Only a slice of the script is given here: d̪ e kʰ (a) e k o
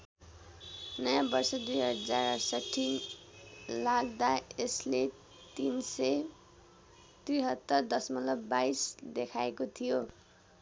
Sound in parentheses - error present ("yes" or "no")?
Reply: no